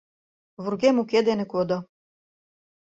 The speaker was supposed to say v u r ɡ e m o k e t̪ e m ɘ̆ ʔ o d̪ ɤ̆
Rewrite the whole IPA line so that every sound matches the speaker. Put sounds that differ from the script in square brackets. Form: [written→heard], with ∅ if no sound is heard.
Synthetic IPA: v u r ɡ e m [o→u] k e [t̪→d̪] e [m→n] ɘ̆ [ʔ→k] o d̪ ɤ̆